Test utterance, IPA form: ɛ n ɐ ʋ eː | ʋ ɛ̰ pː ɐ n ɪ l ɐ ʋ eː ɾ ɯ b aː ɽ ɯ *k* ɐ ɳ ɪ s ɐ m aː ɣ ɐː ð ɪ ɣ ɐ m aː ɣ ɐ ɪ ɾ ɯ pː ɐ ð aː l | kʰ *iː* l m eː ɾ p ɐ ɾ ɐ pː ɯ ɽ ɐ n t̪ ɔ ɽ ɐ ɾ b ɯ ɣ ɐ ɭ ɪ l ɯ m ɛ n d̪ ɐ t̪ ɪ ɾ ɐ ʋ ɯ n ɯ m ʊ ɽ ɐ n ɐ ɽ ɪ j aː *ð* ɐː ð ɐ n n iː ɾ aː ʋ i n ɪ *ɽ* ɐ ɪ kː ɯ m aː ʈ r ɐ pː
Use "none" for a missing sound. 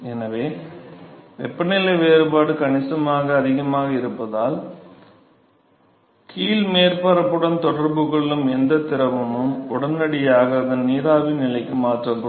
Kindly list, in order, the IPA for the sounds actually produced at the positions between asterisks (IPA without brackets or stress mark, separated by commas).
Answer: k, iː, ɣ, l